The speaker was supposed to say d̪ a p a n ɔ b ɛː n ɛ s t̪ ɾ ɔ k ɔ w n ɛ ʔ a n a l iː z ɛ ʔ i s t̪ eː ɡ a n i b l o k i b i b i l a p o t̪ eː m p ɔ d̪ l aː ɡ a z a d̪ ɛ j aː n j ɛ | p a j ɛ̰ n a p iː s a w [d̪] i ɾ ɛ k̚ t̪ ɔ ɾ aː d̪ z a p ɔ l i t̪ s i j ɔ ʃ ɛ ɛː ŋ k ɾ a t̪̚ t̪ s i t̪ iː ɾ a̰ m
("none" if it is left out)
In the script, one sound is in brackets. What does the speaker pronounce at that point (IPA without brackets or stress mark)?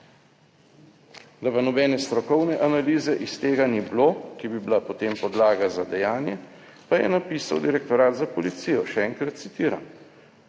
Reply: d̪